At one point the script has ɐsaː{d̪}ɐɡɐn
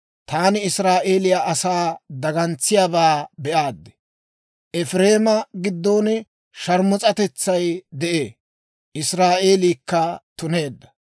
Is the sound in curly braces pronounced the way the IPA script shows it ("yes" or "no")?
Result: yes